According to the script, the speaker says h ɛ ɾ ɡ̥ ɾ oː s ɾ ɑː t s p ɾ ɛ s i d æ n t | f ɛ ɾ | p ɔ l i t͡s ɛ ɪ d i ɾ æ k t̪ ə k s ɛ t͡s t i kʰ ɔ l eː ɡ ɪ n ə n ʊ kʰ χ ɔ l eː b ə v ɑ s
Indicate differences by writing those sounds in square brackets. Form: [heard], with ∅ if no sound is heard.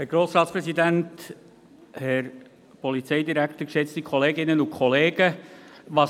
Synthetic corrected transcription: h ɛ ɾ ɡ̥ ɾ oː s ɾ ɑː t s p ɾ ɛ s i d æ n t | [h] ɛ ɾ | p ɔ l i t͡s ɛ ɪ d i ɾ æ k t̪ ə k [ʃ] ɛ t͡s t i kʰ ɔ l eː ɡ ɪ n ə n ʊ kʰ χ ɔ l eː [ɡ] ə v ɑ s